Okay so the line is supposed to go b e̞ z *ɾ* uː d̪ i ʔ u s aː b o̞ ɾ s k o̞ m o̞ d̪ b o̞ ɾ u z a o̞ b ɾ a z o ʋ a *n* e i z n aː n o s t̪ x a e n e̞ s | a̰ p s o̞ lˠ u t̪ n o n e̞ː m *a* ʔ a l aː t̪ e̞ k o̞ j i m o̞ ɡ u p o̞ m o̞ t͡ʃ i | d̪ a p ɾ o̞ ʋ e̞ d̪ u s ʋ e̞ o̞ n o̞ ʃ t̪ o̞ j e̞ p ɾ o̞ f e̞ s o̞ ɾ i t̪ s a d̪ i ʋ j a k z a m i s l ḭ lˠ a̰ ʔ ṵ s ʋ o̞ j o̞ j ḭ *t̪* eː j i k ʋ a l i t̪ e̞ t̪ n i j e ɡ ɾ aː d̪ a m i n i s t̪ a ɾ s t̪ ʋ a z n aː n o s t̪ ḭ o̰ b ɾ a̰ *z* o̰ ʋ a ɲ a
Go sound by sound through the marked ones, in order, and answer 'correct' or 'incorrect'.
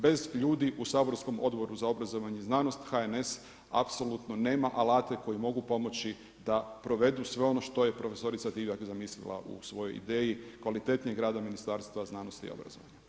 incorrect: ʎ, incorrect: ɲ, correct, incorrect: d̪, correct

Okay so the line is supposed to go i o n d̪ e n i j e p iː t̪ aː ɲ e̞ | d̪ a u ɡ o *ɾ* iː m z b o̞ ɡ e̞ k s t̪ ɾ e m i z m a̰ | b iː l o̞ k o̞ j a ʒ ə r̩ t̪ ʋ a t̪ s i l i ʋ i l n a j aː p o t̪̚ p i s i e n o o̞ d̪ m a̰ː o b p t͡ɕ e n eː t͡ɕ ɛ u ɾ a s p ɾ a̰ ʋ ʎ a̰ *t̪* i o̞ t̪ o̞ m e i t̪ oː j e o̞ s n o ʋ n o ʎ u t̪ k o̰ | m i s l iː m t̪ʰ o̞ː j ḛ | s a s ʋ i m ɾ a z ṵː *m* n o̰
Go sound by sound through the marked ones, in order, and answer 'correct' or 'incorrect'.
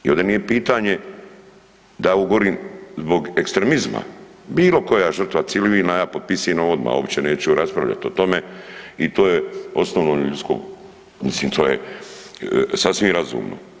correct, correct, correct

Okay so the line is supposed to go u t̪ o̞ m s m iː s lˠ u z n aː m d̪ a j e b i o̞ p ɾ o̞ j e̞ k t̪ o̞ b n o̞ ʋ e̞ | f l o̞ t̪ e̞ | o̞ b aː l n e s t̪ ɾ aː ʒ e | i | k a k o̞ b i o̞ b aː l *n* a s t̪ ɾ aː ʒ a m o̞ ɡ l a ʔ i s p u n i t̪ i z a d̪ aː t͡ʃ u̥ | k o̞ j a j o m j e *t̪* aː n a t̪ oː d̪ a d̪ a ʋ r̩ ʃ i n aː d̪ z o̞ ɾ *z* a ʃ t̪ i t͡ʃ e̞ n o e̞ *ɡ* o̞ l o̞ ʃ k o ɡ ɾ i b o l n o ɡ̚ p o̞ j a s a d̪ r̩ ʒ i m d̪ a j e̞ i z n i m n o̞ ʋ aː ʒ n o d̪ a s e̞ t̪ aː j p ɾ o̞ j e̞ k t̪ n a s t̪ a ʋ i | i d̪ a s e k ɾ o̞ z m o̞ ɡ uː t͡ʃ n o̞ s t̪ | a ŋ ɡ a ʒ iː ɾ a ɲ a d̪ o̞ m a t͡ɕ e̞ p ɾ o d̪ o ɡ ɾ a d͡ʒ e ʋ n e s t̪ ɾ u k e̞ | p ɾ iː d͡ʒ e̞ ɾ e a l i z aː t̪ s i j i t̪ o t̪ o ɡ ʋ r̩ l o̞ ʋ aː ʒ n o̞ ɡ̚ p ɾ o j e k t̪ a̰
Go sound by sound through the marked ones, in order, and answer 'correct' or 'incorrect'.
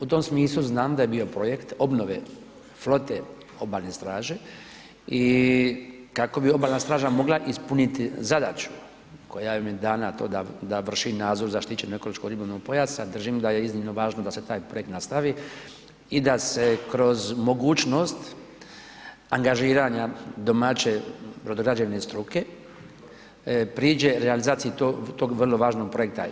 correct, incorrect: d̪, correct, incorrect: k

